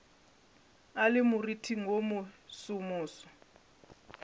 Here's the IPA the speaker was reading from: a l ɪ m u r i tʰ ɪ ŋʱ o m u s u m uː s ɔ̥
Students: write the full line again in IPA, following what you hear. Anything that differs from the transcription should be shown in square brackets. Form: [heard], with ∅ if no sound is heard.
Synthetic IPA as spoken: a l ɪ m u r i tʰ [i] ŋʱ o m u s u m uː s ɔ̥